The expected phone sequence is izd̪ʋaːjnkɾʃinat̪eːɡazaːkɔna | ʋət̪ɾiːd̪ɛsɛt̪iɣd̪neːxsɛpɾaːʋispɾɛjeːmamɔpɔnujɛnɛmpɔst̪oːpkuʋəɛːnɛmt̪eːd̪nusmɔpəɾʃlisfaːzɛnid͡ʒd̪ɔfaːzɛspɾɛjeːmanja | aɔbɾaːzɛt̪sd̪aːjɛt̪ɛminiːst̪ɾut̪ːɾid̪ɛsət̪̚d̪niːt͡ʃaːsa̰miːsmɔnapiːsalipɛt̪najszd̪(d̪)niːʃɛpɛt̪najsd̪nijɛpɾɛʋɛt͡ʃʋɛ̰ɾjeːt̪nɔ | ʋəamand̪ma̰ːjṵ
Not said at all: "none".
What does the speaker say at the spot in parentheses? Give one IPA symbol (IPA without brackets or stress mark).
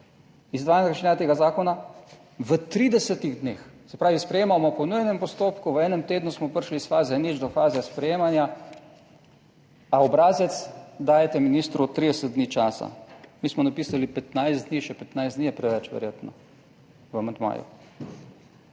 d̪